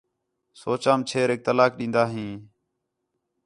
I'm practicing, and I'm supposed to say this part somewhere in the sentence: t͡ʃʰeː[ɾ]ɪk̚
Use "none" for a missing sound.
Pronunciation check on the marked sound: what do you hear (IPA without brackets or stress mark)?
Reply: ɾ